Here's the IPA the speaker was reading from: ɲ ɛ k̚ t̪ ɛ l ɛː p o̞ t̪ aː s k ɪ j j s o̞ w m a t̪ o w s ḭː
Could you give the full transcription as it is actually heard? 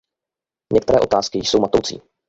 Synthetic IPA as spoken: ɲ ɛ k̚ t̪ ɛ ɾ ɛː ʔ o̞ t̪ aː s k ɪ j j s o̞ w m a t̪ o w t͡s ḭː